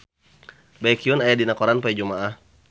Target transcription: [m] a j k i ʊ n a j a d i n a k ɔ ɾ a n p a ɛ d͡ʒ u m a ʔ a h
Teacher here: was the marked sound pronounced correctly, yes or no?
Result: no